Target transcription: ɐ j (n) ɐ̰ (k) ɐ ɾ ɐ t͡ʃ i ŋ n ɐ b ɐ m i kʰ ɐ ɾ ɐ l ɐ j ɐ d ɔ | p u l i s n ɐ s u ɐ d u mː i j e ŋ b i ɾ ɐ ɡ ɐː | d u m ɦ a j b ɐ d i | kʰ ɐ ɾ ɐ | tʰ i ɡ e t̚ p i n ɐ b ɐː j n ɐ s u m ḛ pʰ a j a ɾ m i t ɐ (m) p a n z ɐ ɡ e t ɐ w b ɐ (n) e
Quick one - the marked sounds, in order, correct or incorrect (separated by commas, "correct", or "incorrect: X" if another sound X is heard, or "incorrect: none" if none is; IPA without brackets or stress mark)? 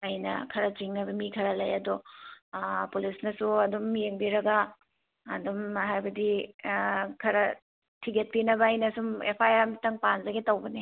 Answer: correct, incorrect: kʰ, incorrect: ŋ, correct